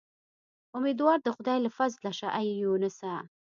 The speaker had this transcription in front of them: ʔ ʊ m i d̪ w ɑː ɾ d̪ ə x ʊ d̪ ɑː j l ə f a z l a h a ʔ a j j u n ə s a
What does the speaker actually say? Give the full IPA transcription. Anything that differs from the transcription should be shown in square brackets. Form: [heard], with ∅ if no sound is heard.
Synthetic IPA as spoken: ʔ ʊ m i d̪ w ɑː ɾ d̪ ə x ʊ d̪ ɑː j l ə f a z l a [ʃ] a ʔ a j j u n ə s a